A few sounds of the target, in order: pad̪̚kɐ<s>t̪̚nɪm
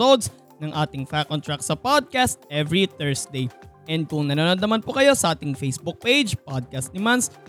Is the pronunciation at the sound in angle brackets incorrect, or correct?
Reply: correct